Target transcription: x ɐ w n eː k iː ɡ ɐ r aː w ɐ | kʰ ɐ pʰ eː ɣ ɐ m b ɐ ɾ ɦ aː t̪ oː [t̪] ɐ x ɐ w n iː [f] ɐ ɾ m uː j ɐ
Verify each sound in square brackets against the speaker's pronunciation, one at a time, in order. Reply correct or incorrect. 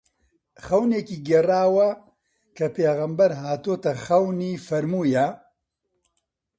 correct, correct

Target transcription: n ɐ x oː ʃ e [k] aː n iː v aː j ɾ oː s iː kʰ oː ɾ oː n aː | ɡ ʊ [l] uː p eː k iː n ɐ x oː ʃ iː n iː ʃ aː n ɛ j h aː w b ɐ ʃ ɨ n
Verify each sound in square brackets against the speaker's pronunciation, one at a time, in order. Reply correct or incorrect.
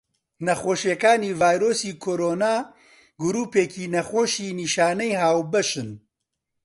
correct, incorrect: ɾ

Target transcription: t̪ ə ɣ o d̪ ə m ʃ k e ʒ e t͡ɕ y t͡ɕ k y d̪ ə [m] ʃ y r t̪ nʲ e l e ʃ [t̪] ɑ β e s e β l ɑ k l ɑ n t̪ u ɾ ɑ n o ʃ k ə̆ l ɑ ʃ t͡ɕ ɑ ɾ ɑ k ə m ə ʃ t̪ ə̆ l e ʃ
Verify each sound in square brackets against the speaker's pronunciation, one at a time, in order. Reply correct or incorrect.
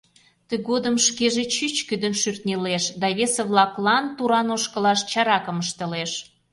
incorrect: n, incorrect: d̪

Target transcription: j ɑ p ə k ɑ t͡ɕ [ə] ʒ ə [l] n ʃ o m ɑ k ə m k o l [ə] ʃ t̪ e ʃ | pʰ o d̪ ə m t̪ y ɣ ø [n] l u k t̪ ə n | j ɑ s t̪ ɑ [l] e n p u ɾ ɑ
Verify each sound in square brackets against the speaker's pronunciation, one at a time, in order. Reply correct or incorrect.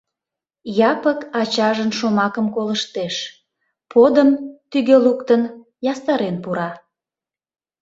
incorrect: ɑ, incorrect: none, correct, incorrect: none, incorrect: ɾ

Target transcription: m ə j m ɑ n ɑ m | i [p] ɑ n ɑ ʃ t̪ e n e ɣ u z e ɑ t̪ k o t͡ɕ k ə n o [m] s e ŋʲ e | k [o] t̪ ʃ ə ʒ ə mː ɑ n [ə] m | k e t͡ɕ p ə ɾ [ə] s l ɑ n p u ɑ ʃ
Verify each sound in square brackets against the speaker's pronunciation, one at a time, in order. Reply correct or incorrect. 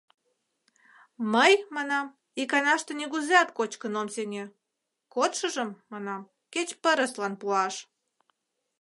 incorrect: k, correct, correct, incorrect: ɑ, correct

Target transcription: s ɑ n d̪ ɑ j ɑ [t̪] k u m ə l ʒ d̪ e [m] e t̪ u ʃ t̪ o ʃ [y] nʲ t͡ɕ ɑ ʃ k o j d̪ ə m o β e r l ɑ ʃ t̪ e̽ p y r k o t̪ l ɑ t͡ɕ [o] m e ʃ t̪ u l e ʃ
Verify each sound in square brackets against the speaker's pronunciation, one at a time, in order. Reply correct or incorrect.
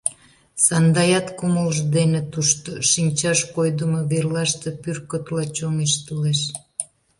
correct, incorrect: n, incorrect: i, correct

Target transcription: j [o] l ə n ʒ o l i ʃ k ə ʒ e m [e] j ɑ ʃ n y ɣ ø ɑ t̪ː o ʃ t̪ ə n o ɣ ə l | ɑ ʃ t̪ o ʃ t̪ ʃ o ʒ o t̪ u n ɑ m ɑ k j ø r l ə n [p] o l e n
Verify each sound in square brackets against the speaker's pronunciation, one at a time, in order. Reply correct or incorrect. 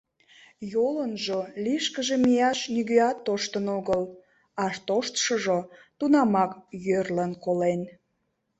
correct, incorrect: i, incorrect: k

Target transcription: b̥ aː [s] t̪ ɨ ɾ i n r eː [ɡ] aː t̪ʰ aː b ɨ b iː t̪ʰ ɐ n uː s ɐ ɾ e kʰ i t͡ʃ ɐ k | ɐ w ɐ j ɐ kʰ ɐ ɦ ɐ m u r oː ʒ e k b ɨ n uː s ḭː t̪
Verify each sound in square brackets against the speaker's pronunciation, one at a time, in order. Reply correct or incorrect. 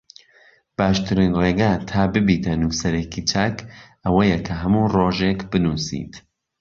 incorrect: ʃ, correct

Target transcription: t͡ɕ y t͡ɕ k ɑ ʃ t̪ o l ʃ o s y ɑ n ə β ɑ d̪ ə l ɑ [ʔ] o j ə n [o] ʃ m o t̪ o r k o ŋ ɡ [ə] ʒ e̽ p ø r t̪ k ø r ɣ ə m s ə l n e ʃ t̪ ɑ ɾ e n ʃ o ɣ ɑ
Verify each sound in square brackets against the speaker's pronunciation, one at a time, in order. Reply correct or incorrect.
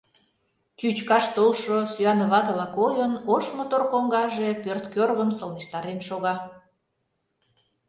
incorrect: k, correct, incorrect: ɑ

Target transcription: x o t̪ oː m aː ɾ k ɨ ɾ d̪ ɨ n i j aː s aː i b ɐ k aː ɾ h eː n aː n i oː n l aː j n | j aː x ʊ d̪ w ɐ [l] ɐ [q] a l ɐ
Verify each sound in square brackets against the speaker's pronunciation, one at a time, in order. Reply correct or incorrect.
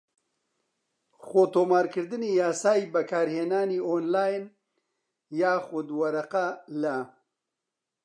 incorrect: ɾ, correct

